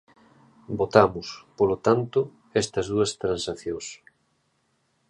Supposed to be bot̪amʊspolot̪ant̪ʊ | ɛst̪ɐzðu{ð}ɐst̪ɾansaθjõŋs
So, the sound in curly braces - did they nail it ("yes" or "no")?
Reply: no